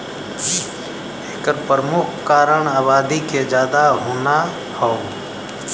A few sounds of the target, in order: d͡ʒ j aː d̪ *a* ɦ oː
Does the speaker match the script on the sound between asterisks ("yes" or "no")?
yes